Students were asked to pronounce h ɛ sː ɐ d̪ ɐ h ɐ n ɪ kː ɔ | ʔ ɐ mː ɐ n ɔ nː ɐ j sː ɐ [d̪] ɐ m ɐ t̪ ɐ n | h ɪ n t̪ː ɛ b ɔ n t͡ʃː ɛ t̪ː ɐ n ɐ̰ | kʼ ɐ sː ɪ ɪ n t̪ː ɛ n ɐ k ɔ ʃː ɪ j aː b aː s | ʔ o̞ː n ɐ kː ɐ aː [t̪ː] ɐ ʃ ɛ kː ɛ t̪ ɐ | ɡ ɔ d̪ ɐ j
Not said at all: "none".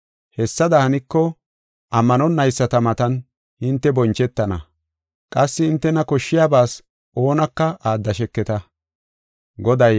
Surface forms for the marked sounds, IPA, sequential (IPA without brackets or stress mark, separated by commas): t̪, d̪ː